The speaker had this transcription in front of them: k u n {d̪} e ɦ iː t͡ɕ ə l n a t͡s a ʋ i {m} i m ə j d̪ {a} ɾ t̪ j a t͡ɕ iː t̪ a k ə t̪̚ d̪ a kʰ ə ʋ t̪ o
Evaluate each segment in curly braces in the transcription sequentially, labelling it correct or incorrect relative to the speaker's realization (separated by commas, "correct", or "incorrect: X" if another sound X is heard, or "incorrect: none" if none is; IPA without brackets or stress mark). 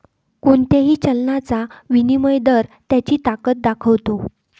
incorrect: t̪, incorrect: n, incorrect: ə